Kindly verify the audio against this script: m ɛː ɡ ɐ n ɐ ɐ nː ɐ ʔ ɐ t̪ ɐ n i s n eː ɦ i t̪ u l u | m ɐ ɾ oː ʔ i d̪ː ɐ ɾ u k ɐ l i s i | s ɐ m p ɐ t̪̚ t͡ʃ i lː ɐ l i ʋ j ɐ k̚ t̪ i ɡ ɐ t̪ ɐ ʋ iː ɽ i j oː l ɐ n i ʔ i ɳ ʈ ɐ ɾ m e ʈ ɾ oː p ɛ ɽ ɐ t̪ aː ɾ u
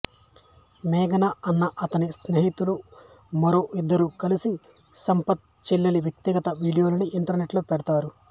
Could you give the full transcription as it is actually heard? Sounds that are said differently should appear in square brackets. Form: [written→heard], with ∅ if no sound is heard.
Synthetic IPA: m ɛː ɡ ɐ n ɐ ɐ nː ɐ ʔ ɐ t̪ ɐ n i s n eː ɦ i t̪ u l u | m ɐ ɾ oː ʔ i d̪ː ɐ ɾ u k ɐ l i s i | s ɐ m p ɐ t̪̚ t͡ʃ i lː ɐ l i ʋ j ɐ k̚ t̪ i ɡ ɐ t̪ ɐ ʋ iː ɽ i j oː l ɐ n i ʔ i ɳ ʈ ɐ ɾ [m→n] e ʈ [ɾ→l] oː p ɛ ɽ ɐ t̪ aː ɾ u

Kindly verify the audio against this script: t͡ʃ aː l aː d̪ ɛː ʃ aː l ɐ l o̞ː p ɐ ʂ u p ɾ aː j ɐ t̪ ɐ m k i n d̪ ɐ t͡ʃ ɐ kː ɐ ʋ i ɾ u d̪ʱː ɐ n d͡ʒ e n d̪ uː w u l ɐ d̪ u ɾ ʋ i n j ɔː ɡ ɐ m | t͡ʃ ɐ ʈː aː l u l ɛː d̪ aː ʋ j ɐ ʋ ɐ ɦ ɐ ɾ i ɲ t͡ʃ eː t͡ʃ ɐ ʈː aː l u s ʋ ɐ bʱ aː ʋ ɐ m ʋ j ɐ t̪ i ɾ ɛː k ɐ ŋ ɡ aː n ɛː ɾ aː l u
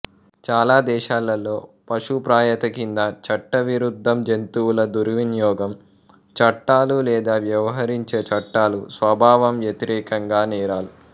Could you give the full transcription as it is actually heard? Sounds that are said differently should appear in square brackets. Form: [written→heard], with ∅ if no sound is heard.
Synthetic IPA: t͡ʃ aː l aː d̪ ɛː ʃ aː l ɐ l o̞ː p ɐ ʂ u p ɾ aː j ɐ t̪ ɐ [m→∅] k i n d̪ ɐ t͡ʃ ɐ [kː→ʈː] ɐ ʋ i ɾ u d̪ʱː ɐ [n→m] d͡ʒ e n [d̪→t̪] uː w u l ɐ d̪ u ɾ ʋ i n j ɔː ɡ ɐ m | t͡ʃ ɐ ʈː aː l u l ɛː d̪ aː ʋ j ɐ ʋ ɐ ɦ ɐ ɾ i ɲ t͡ʃ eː t͡ʃ ɐ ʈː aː l u s ʋ ɐ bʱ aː ʋ ɐ m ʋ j ɐ t̪ i ɾ ɛː k ɐ ŋ ɡ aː n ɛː ɾ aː l u

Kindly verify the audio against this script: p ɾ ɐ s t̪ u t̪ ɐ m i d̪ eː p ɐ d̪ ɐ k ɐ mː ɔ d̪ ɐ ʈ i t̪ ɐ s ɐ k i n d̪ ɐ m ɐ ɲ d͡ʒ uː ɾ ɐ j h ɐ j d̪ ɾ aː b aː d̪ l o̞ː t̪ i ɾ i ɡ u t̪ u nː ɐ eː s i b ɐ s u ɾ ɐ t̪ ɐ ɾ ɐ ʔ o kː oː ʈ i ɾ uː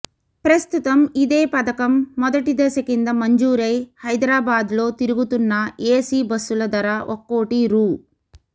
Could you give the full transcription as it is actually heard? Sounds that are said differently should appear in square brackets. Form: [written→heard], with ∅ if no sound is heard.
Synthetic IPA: p ɾ ɐ s t̪ u t̪ ɐ m i d̪ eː p ɐ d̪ ɐ k ɐ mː ɔ d̪ ɐ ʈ i [t̪→d̪] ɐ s ɐ k i n d̪ ɐ m ɐ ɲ d͡ʒ uː ɾ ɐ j h ɐ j d̪ ɾ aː b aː d̪ l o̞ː t̪ i ɾ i ɡ u t̪ u nː ɐ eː s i b ɐ s u [ɾ→l] ɐ [t̪→d̪] ɐ ɾ ɐ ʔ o kː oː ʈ i ɾ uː

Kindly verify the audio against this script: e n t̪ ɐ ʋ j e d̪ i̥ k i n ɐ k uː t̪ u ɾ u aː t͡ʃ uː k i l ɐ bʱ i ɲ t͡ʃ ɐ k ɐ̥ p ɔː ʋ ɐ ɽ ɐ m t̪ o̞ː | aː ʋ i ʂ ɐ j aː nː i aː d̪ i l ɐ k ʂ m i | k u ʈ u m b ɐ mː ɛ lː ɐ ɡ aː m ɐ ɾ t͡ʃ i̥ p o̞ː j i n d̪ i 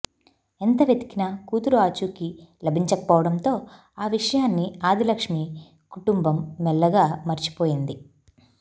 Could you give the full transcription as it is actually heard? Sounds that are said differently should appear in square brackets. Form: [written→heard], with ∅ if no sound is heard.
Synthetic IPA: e n t̪ ɐ ʋ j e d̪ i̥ k i n ɐ k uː t̪ u ɾ u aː t͡ʃ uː k i l ɐ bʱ i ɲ t͡ʃ ɐ k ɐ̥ p ɔː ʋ ɐ ɽ ɐ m t̪ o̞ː | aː ʋ i ʂ ɐ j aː nː i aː d̪ i l ɐ k ʂ m i | k u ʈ u m b ɐ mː ɛ lː ɐ ɡ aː m ɐ ɾ t͡ʃ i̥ p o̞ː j i n d̪ i

